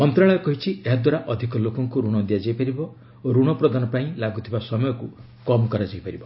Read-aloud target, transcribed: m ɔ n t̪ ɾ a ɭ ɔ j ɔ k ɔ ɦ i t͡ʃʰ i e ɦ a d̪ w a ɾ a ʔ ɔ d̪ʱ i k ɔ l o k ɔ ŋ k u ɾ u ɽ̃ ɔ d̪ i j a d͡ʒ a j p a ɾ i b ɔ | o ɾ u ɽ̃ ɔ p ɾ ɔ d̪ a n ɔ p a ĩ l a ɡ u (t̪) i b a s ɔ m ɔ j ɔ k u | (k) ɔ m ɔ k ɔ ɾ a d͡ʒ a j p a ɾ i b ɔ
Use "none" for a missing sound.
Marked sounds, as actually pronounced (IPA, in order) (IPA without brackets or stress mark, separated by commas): t̪ʰ, k